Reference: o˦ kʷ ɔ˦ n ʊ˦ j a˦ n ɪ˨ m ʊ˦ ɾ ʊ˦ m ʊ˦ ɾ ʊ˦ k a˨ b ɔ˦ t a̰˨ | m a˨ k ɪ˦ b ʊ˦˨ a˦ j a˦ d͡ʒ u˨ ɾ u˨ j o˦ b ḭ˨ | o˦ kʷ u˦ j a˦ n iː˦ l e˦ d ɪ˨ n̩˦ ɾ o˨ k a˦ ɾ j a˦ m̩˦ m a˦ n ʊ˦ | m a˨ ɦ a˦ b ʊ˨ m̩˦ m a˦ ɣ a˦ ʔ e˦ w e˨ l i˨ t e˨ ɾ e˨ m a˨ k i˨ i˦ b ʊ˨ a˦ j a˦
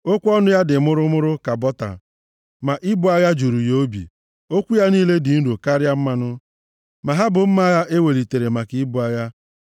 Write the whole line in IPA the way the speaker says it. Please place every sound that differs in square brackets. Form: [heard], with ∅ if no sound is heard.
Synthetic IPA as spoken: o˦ kʷ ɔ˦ n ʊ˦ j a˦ [d] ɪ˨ m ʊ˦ ɾ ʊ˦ m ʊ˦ ɾ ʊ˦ k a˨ b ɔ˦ t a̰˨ | m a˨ [ʔ] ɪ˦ b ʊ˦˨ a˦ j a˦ d͡ʒ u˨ ɾ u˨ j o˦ b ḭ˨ | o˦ kʷ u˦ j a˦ n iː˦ l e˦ d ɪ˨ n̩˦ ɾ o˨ k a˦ ɾ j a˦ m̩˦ m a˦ n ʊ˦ | m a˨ ɦ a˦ b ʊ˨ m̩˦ m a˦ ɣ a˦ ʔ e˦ w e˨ l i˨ t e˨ ɾ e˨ m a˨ k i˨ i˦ b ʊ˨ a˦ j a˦